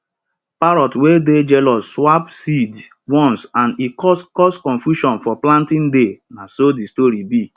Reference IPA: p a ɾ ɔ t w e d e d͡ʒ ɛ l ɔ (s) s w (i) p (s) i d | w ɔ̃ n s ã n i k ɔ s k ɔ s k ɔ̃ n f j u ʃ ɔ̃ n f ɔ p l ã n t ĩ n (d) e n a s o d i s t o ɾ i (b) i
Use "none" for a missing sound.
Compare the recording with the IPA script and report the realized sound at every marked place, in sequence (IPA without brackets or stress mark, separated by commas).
s, a, s, d, b